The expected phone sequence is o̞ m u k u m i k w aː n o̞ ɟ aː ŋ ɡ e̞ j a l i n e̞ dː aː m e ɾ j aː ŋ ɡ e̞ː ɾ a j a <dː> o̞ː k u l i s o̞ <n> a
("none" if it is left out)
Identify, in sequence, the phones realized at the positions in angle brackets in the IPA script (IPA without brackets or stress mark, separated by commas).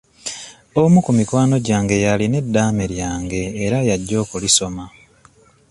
ɟː, m